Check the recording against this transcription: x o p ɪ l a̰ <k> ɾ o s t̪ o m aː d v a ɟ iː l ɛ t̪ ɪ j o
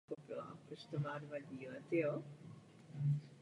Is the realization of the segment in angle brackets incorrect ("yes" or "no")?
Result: yes